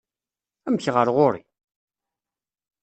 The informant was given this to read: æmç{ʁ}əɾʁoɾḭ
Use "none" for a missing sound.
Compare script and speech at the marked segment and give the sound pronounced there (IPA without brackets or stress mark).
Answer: ʁ